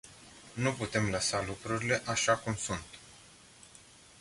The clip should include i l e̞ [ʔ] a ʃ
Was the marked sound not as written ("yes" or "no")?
no